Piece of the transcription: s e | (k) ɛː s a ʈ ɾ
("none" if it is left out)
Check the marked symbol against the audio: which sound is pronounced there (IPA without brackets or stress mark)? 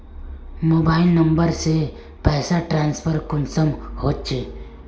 p